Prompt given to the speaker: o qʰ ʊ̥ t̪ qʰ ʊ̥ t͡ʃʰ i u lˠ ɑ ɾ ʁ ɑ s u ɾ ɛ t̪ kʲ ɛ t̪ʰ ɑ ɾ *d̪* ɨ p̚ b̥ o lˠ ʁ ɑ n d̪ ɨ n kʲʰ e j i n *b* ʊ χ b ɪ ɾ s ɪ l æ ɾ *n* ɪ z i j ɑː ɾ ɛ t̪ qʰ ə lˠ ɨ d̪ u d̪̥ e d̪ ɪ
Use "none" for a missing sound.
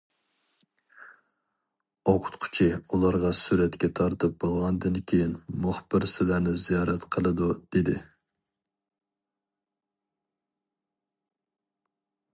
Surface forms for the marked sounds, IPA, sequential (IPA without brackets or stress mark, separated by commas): t̪, m, n